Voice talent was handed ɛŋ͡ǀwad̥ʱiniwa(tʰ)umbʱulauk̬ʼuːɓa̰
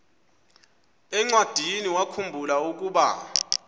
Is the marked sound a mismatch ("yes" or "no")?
yes